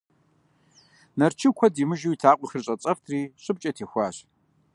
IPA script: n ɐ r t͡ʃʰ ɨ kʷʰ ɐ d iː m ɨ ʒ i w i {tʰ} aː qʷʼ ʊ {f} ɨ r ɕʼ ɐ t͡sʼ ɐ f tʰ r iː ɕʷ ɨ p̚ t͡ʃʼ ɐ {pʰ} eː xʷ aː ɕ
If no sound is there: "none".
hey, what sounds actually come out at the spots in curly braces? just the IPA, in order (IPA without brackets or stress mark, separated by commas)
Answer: tʰ, x, tʰ